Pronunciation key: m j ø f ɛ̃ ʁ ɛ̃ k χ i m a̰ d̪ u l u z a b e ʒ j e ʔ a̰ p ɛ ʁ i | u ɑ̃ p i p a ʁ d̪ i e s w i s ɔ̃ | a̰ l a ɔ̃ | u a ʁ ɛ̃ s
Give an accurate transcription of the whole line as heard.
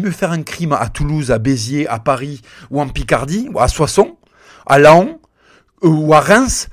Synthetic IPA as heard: m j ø f ɛ ʁ ɛ̃ k χ i m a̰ t̪ u l u z a b e z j e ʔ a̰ p a ʁ i | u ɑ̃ p i k a ʁ d̪ i a s w a s ɔ̃ | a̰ l a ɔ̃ | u a ʁ ɛ̃ s